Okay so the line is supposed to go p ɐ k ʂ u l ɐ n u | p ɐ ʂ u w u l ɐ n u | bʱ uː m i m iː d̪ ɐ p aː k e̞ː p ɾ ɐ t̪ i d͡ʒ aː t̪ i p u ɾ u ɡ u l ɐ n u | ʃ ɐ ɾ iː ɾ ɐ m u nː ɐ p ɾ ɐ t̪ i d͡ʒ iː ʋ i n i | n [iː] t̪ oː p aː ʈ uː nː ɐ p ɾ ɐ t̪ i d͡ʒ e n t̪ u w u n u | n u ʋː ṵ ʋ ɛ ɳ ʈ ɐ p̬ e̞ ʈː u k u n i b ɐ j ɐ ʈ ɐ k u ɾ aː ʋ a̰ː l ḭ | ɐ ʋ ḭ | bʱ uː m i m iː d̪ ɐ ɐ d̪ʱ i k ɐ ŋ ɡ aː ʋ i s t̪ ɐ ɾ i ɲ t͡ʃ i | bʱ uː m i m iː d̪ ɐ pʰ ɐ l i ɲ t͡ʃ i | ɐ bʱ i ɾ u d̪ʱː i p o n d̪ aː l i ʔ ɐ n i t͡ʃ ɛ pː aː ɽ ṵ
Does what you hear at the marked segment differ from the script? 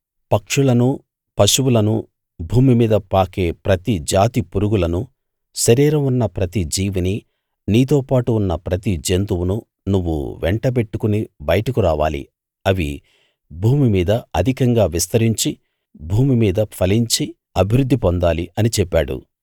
no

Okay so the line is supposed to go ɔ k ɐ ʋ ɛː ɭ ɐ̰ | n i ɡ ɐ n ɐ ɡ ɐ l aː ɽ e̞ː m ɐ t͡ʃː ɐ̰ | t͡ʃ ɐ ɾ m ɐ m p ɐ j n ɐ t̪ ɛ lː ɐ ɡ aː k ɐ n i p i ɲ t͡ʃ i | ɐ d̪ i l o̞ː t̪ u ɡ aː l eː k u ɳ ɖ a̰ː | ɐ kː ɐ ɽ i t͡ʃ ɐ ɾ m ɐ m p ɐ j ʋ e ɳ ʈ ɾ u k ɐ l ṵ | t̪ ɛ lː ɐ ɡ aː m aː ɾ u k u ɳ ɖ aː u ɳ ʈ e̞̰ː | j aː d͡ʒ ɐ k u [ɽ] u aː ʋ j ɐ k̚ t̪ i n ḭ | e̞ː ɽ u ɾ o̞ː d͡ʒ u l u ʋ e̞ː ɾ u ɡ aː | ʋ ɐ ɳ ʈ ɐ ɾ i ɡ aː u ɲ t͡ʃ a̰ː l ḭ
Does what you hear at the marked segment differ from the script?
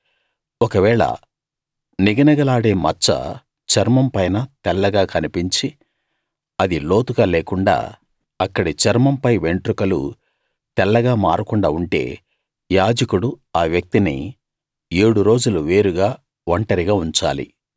no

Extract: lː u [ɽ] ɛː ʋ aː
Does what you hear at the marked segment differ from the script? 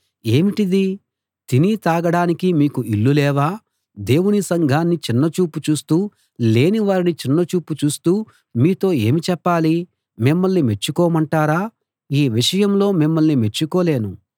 yes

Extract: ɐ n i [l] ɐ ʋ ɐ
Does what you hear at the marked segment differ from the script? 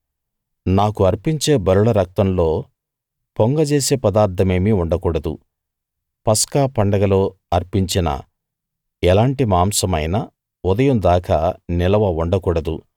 no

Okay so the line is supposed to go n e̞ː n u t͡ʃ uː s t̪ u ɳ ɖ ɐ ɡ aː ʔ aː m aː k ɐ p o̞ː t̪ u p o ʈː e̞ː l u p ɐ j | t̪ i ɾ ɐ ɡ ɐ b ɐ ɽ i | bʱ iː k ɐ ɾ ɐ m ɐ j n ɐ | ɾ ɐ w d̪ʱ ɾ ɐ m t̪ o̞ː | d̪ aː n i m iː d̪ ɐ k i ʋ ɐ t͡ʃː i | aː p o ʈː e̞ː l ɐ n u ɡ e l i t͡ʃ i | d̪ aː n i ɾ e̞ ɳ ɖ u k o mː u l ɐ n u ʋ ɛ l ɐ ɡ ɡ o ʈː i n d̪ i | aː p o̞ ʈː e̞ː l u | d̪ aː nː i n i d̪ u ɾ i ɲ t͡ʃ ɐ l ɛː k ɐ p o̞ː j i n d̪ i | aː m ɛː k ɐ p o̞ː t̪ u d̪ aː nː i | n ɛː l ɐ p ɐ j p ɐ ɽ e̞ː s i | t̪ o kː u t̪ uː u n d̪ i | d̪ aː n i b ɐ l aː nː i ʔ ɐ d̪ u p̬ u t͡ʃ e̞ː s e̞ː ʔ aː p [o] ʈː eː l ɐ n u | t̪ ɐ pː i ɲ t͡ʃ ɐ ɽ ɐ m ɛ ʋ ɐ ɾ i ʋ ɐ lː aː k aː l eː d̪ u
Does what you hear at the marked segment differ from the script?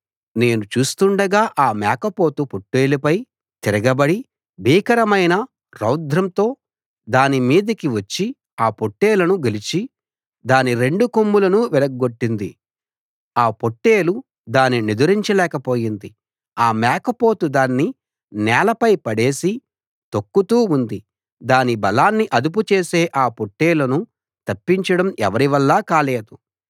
no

